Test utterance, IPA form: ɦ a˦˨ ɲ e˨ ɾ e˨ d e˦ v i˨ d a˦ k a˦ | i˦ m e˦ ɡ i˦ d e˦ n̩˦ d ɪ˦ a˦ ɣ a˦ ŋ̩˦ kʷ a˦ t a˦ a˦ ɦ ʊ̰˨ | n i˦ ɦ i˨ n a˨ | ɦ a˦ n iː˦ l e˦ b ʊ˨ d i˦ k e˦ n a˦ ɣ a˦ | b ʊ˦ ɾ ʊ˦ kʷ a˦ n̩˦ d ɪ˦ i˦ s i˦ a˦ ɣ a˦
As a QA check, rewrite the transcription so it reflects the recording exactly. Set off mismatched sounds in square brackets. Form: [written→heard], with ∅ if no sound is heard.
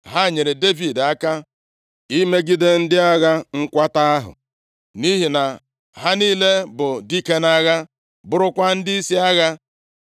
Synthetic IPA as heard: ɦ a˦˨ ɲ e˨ ɾ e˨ d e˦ v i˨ d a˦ k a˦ | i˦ m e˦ ɡ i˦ d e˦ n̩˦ d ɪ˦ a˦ ɣ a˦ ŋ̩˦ kʷ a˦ t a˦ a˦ ɦ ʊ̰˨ | n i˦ ɦ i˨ n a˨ | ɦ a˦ n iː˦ l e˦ b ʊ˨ d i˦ k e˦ n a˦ ɣ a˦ | b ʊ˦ ɾ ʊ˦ kʷ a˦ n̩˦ d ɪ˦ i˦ s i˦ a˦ ɣ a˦